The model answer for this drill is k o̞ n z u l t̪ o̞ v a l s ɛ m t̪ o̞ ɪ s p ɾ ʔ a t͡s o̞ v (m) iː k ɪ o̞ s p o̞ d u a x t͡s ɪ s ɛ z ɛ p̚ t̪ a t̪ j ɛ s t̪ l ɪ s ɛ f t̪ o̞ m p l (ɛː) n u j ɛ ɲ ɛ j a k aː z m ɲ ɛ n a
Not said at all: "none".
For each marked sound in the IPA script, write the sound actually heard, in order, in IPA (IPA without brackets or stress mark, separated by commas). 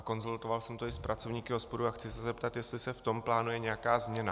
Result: ɲ, aː